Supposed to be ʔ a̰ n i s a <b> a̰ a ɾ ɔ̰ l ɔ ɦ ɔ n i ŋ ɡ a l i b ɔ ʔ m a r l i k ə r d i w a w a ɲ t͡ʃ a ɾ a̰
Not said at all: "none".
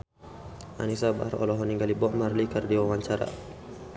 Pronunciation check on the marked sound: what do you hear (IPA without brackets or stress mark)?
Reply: b